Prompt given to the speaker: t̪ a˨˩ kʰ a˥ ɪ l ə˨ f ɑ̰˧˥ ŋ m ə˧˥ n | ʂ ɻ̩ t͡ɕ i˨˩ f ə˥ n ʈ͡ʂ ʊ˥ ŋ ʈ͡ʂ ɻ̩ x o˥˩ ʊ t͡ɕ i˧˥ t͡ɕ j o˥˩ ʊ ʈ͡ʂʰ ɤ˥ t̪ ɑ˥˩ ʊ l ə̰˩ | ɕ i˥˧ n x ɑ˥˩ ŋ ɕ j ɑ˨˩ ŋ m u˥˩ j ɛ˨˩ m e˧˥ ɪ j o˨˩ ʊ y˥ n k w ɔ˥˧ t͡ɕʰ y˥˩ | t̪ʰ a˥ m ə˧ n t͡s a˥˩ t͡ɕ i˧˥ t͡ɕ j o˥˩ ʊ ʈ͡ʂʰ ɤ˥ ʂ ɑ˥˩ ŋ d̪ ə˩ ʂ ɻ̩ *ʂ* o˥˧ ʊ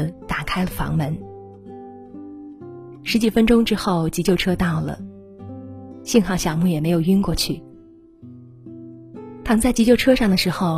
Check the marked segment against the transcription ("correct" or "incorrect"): incorrect